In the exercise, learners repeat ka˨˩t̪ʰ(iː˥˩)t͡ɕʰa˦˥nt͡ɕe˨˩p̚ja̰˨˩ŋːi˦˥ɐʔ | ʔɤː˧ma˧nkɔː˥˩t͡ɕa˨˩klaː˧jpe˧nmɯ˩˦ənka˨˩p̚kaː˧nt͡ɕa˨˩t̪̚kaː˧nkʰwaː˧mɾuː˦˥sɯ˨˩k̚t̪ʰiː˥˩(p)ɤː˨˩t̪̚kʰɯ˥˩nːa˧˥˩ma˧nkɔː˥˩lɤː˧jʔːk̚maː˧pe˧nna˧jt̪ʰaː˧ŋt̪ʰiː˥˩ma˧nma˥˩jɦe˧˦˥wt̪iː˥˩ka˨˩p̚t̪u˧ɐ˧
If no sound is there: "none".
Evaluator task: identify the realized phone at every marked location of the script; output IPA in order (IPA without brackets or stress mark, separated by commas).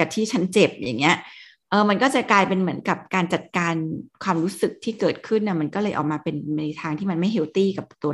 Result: iː˥˩, k